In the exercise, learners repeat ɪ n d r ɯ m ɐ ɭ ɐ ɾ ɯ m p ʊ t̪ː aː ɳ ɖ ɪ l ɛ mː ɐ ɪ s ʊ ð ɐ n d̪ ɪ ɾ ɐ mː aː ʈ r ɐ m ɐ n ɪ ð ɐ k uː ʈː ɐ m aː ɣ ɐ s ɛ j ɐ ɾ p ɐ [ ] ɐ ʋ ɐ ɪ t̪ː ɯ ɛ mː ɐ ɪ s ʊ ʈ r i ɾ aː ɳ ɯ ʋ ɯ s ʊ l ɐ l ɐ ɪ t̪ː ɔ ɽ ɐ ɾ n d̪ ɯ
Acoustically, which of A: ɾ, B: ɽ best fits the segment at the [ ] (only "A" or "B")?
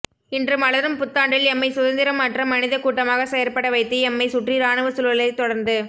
B